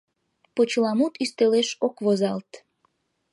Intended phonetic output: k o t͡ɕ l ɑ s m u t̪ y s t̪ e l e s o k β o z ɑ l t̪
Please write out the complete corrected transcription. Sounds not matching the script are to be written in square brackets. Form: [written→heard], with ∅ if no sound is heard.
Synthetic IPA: [k→p] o t͡ɕ l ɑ [s→∅] m u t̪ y s t̪ e l e [s→ʃ] o k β o z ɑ l t̪